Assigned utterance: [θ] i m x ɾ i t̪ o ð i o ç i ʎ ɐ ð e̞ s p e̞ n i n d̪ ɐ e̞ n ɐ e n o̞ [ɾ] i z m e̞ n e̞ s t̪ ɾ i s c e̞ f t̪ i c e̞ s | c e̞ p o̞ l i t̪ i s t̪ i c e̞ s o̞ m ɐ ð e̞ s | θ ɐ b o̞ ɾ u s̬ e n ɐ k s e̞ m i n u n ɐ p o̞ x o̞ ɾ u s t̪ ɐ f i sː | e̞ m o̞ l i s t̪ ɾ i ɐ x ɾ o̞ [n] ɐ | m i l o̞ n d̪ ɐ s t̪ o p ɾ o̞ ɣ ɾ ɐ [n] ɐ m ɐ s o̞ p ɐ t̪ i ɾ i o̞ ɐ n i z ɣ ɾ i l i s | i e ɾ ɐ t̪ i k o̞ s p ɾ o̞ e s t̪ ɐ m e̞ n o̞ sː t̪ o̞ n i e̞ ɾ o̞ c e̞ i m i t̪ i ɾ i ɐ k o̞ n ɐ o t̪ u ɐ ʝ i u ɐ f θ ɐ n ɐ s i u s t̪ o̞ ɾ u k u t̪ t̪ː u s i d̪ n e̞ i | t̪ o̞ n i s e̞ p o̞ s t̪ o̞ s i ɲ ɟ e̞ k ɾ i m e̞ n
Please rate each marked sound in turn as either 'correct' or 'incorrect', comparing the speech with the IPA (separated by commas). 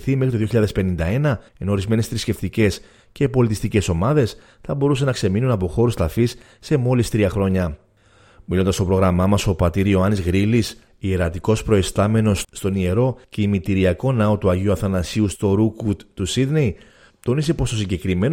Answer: correct, correct, incorrect, incorrect